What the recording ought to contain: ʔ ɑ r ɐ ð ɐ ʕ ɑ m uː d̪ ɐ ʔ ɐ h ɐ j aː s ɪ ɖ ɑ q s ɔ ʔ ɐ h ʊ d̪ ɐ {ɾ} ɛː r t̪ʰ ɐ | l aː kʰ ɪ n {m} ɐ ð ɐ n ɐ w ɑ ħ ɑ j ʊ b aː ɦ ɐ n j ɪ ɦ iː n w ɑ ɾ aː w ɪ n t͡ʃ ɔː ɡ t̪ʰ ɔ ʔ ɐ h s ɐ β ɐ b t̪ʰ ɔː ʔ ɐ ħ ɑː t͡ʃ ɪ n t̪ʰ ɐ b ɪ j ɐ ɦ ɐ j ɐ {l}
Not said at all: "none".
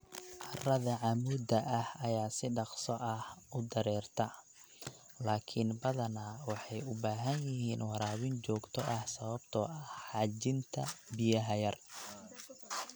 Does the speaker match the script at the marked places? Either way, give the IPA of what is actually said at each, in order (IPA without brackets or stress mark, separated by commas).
ɾ, b, r